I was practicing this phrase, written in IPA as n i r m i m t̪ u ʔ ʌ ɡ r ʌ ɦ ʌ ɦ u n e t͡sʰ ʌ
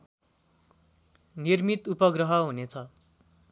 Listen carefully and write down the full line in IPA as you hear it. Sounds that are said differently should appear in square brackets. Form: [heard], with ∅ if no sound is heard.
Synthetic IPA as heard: n i r m i [∅] t̪ u [p] ʌ ɡ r ʌ ɦ ʌ ɦ u n e t͡sʰ ʌ

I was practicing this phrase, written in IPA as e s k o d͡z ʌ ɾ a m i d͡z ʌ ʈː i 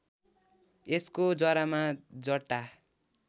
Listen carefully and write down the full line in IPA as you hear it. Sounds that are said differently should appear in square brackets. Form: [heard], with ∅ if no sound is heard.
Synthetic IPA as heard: e s k o d͡z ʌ ɾ a m [a] d͡z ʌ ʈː [a]

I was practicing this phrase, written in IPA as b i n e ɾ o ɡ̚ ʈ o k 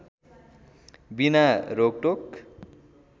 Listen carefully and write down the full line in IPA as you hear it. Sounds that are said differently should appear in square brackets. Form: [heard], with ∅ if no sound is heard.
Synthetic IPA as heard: b i n [a] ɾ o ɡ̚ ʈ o k

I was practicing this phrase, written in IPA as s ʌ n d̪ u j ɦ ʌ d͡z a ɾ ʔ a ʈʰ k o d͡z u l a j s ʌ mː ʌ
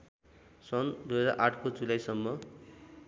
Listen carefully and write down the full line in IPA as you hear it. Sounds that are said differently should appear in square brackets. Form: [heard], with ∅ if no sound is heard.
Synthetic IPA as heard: s ʌ n d̪ u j ɦ ʌ d͡z a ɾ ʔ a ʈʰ k o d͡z u l a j s ʌ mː ʌ

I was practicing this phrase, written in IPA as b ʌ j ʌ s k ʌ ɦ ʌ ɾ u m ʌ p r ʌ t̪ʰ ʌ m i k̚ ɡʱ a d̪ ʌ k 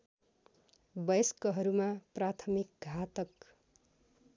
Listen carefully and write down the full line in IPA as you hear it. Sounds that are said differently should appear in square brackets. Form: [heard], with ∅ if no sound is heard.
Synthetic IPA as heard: b ʌ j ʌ s k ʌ ɦ ʌ ɾ u m [a] p r [a] t̪ʰ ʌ m i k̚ ɡʱ a [t̪] ʌ k

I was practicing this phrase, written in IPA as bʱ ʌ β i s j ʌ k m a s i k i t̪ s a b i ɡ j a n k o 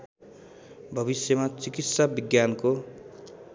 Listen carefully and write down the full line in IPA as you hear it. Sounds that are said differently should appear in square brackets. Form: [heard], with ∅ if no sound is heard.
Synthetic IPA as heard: bʱ ʌ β i s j ʌ [∅] m a [t͡s] i k i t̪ s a b i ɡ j a n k o

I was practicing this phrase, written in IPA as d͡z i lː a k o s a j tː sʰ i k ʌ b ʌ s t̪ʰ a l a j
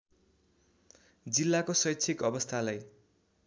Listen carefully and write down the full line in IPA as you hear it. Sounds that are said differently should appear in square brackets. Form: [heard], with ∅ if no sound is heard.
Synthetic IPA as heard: d͡z i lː a k o s [ʌ] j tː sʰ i k ʌ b ʌ s t̪ʰ a l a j

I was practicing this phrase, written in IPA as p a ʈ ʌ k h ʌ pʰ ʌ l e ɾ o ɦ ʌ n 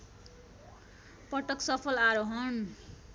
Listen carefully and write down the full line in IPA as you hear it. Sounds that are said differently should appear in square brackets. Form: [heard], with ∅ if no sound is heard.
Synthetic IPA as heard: p [ʌ] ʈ ʌ k [s] ʌ pʰ ʌ l [a] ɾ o ɦ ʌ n

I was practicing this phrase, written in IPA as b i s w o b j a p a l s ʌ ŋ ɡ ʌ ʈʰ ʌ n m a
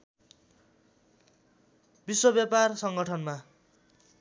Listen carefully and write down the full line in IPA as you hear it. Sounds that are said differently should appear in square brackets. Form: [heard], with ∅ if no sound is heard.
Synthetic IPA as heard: b i s w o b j a p a [r] s ʌ ŋ ɡ ʌ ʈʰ ʌ n m a

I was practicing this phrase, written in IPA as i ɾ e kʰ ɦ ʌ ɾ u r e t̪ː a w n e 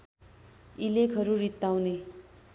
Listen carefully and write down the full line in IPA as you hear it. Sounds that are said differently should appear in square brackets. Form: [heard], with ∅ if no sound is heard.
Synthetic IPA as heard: i [l] e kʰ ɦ ʌ ɾ u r [i] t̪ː a w n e

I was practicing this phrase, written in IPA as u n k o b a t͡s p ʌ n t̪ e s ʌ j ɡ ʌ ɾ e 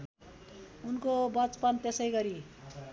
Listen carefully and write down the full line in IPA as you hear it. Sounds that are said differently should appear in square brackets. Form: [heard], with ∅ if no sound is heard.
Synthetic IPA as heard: u n k o b [ʌ] t͡s p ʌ n t̪ e s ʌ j ɡ ʌ ɾ [i]

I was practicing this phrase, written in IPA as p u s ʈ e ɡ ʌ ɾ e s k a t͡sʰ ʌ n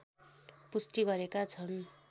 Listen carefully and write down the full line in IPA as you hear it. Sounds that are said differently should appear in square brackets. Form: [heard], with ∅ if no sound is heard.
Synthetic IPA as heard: p u s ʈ [i] ɡ ʌ ɾ e [∅] k a t͡sʰ ʌ n

